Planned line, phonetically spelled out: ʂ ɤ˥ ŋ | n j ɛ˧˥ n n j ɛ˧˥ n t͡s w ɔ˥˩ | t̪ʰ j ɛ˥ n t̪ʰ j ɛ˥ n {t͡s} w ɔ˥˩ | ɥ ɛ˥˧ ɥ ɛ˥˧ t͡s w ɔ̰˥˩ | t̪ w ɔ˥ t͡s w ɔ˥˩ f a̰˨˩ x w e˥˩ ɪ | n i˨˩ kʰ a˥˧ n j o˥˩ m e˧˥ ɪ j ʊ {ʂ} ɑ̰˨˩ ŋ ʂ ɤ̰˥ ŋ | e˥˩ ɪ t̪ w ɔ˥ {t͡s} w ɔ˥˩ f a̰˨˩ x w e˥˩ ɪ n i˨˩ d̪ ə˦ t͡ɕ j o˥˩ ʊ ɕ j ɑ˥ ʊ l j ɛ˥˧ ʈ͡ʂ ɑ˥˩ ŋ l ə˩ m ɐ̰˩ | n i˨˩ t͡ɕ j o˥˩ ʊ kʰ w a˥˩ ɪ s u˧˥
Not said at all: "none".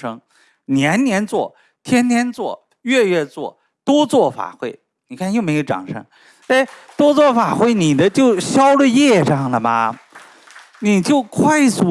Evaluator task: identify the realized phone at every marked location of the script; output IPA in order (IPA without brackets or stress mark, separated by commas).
t͡s, ʈ͡ʂ, t͡s